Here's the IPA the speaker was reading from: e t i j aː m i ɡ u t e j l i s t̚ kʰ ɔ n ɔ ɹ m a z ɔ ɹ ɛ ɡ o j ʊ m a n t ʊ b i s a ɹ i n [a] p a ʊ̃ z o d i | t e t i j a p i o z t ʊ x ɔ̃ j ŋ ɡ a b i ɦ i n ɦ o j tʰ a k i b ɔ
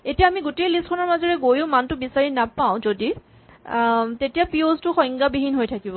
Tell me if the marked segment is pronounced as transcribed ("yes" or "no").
yes